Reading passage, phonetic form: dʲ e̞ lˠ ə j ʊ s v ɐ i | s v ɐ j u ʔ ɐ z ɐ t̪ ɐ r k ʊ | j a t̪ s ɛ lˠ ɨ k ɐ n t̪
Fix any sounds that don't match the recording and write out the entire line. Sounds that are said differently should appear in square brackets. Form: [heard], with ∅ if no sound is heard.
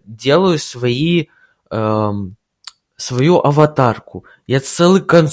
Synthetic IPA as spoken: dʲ e̞ lˠ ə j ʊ s v ɐ i | s v ɐ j u ʔ ɐ [v] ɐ t̪ [a] r k ʊ | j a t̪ s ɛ lˠ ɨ k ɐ n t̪